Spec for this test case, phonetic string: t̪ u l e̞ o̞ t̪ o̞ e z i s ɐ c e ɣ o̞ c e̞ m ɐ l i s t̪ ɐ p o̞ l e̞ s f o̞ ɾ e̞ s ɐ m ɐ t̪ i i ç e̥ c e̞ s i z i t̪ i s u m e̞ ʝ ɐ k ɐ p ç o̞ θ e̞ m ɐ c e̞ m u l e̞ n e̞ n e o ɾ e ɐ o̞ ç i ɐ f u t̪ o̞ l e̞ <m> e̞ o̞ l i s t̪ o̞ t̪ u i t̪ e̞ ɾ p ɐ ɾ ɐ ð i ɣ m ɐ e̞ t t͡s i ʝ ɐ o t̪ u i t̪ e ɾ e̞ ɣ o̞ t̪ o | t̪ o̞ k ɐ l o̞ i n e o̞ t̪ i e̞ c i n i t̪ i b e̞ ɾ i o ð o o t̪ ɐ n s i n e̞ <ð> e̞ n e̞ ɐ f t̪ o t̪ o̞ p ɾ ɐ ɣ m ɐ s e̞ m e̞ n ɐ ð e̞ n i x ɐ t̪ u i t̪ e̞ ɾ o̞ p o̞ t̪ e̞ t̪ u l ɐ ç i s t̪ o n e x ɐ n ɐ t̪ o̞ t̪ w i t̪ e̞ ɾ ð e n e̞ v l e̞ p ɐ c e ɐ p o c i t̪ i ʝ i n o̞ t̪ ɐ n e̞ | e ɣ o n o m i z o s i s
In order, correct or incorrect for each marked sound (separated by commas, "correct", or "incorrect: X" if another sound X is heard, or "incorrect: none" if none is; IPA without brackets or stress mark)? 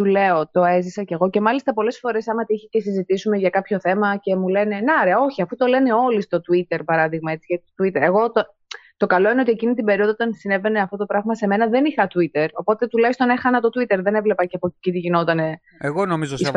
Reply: incorrect: n, incorrect: v